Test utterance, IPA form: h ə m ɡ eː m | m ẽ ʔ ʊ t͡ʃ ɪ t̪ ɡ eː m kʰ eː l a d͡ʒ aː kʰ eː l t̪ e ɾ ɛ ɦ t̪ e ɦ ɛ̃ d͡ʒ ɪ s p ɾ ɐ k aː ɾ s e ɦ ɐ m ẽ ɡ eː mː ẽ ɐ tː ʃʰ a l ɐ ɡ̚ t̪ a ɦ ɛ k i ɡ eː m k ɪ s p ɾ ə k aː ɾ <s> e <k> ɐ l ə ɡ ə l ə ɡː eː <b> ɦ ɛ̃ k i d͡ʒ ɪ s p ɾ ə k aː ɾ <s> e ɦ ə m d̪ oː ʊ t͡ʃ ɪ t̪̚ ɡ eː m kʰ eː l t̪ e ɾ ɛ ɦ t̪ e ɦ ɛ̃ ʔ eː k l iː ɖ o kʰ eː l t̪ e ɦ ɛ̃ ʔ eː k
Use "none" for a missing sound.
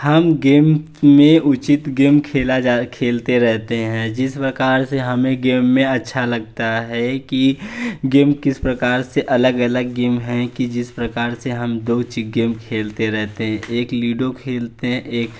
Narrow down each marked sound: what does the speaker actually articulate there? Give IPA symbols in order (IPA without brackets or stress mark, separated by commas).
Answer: s, ʔ, m, s